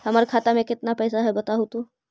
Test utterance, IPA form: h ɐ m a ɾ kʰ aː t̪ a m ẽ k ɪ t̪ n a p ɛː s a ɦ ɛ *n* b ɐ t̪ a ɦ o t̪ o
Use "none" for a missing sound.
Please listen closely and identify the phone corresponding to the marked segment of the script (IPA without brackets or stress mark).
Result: none